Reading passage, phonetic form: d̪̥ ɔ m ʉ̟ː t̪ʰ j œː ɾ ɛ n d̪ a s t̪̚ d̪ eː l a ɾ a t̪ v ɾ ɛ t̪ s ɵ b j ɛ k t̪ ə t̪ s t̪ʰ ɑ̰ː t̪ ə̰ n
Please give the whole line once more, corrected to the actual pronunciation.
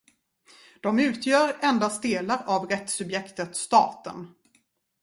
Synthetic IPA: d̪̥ ɔ m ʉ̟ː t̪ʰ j œː ɾ ɛ n d̪ a s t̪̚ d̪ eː l a ɾ a v ɾ ɛ t̪ s ɵ b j ɛ k t̪ ə t̪ s t̪ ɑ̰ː t̪ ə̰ n

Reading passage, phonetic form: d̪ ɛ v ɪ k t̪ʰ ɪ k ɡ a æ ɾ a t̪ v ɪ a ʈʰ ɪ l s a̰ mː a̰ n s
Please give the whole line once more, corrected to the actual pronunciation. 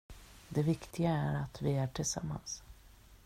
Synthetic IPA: d̪ ɛ v ɪ k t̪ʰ ɪ ɡ a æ ɾ a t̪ v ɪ æ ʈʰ ɪ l s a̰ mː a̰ n s

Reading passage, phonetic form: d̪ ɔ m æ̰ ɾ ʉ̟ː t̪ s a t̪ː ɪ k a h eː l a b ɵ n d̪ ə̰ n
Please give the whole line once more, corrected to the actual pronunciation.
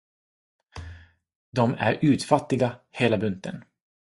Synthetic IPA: d̪ ɔ m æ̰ ɾ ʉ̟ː t̪ f a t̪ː ɪ ɡ a h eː l a b ɵ n t̪ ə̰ n

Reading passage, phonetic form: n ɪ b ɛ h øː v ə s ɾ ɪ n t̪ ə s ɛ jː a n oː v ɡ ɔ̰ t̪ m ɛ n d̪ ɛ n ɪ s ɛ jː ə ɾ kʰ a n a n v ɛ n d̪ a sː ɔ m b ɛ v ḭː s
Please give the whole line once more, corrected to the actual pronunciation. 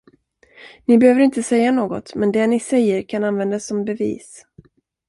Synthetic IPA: n ɪ b ɛ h øː v ə ɾ ɪ n t̪ ə s ɛ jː a n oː ɡ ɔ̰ t̪ m ɛ n d̪ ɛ n ɪ s ɛ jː ə ɾ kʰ a n a n v ɛ n d̪ a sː ɔ m b ɛ v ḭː s

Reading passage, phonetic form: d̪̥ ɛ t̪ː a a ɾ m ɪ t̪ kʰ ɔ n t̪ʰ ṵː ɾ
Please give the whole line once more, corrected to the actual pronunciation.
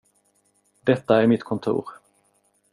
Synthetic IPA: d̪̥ ɛ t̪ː a æ ɾ m ɪ t̪ kʰ ɔ n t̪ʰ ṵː ɾ

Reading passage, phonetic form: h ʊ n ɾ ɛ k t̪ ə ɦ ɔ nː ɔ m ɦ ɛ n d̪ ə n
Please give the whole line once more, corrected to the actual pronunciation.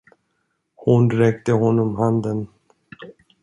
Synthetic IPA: h ʊ n ɾ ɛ k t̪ ə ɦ ɔ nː ɔ m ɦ a n d̪ ə n

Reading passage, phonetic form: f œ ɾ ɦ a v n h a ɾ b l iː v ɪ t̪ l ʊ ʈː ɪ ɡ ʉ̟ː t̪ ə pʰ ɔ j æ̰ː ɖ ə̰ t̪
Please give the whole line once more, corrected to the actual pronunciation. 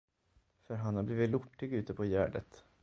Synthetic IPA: f œ ɾ ɦ a n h a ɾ b l iː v ɪ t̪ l ʊ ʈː ɪ ɡ ʉ̟ː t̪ ə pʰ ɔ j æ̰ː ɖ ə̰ t̪

